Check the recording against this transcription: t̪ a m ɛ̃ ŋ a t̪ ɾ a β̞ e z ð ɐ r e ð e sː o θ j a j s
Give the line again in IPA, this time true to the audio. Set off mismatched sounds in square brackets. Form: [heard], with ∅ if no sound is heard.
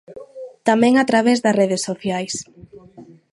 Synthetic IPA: t̪ a m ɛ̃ ŋ a t̪ ɾ a β̞ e z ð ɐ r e ð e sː o θ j a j s